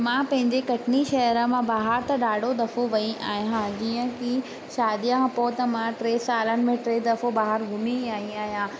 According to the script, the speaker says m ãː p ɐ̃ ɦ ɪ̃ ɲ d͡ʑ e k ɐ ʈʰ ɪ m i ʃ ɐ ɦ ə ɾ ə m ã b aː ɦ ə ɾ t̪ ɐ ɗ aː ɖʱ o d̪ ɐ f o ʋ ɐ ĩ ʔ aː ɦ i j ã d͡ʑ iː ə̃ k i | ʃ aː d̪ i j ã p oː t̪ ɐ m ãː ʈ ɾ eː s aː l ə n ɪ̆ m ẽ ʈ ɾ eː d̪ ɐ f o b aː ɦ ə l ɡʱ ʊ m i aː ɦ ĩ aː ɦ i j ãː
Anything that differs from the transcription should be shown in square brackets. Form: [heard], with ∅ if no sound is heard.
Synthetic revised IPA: m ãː p ɐ̃ ɦ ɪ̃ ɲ d͡ʑ e k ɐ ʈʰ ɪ [n] i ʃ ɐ ɦ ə ɾ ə m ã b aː ɦ ə ɾ t̪ ɐ ɗ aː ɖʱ o d̪ ɐ f o ʋ ɐ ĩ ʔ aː ɦ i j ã d͡ʑ iː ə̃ k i | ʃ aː d̪ i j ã p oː t̪ ɐ m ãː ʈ ɾ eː s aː l ə n ɪ̆ m ẽ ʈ ɾ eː d̪ ɐ f o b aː ɦ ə [ɾ] ɡʱ ʊ m i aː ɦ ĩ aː ɦ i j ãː